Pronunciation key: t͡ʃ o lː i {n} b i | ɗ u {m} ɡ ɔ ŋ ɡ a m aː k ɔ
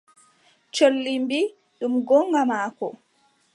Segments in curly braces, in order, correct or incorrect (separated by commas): incorrect, correct